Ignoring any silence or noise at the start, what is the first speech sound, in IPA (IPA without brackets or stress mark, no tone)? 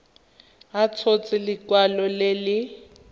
a